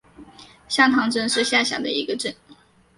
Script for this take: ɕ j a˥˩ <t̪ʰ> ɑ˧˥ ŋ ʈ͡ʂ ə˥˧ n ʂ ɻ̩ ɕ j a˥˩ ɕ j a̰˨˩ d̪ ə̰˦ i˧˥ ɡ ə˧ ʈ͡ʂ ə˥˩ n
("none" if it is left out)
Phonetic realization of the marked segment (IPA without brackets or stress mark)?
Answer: t̪ʰ